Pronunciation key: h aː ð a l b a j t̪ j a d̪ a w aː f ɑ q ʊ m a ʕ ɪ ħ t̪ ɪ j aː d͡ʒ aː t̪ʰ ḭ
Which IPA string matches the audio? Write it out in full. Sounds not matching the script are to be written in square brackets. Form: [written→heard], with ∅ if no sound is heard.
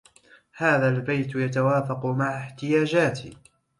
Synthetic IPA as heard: h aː ð a l b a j t̪ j a [d̪→t̪] a w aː f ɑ q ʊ m a ʕ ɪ ħ t̪ ɪ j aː d͡ʒ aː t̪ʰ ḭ